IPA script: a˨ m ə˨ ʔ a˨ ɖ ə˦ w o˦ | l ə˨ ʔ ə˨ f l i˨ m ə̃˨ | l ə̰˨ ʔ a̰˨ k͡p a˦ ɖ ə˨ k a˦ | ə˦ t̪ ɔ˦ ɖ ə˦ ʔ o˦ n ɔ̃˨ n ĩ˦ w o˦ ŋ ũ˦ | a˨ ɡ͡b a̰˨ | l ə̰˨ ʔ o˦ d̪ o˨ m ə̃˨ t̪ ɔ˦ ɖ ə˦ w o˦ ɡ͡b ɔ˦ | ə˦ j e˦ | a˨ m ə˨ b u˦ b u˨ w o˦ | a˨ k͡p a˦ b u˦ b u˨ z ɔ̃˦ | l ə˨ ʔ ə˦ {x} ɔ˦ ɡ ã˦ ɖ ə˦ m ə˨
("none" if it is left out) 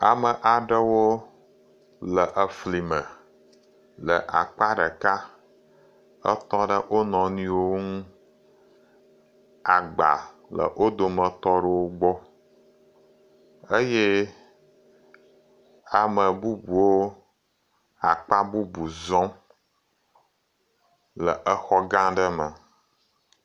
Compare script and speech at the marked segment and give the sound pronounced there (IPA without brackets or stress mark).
x